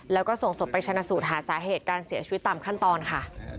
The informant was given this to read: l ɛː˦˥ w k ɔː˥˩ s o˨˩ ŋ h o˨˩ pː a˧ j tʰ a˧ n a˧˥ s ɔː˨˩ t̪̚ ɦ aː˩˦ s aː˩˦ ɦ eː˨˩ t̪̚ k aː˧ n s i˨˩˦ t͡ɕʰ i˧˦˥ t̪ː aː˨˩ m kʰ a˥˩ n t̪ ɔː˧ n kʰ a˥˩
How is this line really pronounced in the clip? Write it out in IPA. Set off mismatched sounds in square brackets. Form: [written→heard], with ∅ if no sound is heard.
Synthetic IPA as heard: l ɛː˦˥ w k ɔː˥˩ s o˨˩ ŋ [h→s] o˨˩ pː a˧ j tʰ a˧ n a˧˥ s [ɔː˨˩→uː˨˩] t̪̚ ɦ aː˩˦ s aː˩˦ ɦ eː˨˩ t̪̚ k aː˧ n s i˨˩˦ t͡ɕʰ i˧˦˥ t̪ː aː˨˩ m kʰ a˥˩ n t̪ ɔː˧ n kʰ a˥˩